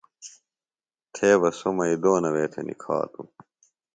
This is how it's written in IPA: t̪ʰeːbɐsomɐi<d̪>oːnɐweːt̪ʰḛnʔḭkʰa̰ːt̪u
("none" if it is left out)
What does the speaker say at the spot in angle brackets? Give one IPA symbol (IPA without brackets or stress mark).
d̪